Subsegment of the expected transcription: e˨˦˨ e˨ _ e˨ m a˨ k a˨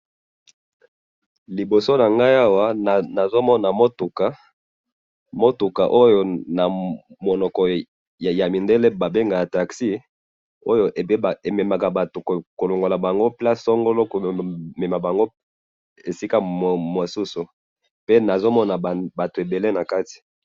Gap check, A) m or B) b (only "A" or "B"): A